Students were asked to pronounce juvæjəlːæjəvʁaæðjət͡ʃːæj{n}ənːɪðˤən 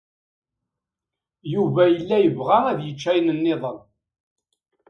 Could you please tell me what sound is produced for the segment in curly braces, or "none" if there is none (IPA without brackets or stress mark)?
n